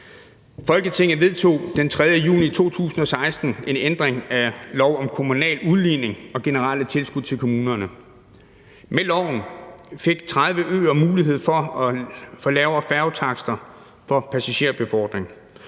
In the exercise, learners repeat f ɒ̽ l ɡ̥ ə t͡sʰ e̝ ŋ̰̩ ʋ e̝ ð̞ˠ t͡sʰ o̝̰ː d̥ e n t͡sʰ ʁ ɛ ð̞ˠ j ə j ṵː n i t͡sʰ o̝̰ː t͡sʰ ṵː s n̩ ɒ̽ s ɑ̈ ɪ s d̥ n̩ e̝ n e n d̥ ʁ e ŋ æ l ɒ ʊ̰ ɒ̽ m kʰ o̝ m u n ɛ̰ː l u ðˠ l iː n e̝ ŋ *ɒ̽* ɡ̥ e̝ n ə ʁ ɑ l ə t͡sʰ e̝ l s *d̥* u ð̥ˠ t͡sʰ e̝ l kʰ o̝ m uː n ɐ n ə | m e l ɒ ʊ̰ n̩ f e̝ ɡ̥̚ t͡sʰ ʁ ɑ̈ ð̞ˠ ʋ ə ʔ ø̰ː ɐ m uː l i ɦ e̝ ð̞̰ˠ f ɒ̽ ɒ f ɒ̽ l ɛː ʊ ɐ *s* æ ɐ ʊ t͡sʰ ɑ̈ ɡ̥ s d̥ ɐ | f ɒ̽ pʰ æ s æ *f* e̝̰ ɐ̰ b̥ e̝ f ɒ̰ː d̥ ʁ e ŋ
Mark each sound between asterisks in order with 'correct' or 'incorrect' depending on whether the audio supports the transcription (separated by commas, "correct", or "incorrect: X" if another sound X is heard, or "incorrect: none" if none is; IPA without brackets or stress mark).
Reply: correct, incorrect: ɡ̥, incorrect: f, incorrect: ɕ